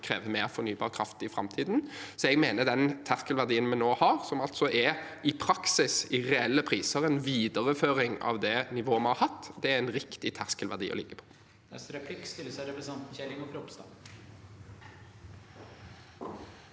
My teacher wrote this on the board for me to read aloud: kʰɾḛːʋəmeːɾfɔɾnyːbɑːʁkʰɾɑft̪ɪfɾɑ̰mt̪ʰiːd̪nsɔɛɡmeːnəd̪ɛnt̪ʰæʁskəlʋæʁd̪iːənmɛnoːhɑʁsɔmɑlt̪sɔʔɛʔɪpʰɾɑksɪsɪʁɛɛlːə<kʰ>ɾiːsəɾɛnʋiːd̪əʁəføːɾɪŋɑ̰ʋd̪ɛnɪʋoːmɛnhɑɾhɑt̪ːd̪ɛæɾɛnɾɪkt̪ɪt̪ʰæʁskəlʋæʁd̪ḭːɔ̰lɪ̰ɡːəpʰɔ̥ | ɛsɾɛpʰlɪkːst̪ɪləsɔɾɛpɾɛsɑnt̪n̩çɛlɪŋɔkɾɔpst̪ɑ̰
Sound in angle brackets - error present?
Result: yes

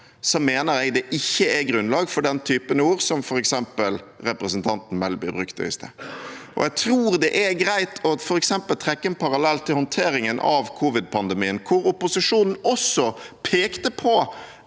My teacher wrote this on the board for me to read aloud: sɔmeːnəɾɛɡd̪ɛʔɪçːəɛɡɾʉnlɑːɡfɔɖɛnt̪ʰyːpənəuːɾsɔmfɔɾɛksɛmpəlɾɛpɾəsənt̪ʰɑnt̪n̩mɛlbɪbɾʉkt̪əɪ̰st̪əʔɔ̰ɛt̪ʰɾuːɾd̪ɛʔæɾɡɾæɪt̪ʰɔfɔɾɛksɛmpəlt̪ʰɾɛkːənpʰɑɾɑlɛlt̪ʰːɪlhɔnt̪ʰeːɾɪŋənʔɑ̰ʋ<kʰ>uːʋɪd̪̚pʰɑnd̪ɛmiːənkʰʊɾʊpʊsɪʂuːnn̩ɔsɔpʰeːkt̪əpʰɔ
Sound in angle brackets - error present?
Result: no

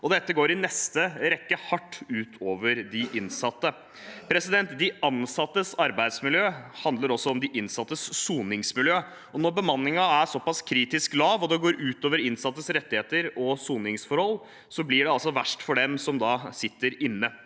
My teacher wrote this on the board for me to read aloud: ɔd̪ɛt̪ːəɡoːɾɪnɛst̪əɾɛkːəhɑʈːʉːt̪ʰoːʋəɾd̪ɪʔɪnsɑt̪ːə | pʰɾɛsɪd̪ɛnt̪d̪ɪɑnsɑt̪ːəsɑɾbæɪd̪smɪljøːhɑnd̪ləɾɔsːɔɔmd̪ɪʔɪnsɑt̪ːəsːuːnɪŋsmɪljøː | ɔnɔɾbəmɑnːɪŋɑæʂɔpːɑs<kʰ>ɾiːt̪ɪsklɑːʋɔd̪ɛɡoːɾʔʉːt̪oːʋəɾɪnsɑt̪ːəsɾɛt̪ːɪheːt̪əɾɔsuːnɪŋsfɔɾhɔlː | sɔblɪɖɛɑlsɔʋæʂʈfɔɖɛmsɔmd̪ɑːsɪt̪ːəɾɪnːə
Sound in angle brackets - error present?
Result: no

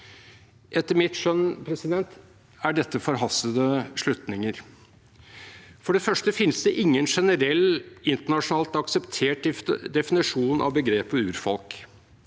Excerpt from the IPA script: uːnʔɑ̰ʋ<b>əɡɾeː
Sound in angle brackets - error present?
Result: no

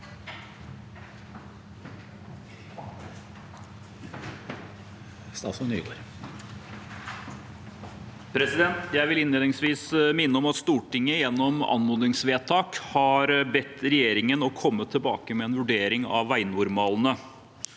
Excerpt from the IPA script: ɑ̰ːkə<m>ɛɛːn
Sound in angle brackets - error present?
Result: no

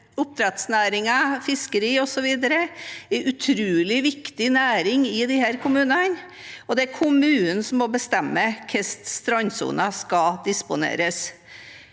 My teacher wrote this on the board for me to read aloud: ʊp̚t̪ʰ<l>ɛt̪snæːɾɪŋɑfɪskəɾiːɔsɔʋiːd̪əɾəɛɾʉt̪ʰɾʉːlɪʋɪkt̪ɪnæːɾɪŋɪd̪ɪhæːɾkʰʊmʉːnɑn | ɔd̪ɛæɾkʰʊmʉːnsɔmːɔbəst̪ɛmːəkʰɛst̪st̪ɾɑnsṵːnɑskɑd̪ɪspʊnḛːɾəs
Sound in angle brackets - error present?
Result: yes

